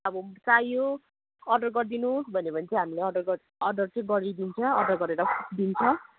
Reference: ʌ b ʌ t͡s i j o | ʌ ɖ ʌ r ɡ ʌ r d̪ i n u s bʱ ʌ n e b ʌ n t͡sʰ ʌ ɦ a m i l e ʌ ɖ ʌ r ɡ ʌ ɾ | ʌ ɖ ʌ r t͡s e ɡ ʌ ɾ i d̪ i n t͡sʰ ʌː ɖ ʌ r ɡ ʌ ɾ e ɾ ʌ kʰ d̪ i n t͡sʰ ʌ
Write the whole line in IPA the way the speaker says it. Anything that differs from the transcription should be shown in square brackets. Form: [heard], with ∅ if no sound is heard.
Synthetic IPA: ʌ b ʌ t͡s [a] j o | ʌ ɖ ʌ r ɡ ʌ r d̪ i n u s bʱ ʌ n e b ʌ n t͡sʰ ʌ ɦ a m i l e ʌ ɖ ʌ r ɡ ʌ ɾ | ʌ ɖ ʌ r t͡s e ɡ ʌ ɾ i d̪ i n t͡sʰ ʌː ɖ ʌ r ɡ ʌ ɾ e ɾ ʌ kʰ d̪ i n t͡sʰ ʌ